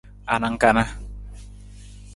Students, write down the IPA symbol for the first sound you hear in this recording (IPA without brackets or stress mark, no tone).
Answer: a